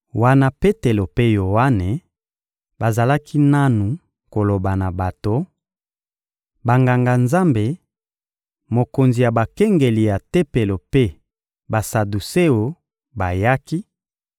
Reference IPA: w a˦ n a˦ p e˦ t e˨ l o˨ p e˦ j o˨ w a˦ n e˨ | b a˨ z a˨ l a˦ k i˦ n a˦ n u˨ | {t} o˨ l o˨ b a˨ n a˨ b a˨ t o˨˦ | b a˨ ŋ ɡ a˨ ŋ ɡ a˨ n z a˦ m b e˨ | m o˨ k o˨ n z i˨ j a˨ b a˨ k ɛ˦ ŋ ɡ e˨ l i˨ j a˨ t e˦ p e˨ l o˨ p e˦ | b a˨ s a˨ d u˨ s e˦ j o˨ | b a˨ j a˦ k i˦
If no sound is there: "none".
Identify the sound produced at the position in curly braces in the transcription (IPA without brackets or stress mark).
k